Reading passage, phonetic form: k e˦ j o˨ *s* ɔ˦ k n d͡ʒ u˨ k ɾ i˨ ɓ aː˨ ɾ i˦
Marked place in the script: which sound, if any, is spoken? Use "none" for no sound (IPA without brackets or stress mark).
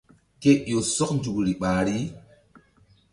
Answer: s